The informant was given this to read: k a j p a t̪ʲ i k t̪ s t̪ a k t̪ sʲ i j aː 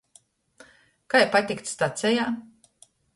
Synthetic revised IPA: k a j p a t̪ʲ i k t̪ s t̪ a t̪ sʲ ɛ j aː